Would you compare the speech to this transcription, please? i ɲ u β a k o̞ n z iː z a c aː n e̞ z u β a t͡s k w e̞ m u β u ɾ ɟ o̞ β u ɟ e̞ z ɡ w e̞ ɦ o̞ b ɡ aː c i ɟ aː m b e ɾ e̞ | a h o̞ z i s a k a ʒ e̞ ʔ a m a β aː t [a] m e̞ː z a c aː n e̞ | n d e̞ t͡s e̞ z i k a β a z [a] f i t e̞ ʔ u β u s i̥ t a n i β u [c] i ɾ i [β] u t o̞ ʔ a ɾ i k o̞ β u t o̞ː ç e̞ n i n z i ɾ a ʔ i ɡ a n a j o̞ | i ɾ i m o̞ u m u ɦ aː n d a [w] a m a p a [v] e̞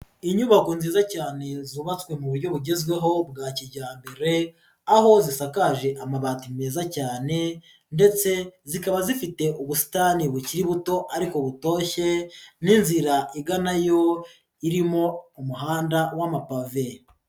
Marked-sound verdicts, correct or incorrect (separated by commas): incorrect, incorrect, correct, correct, correct, correct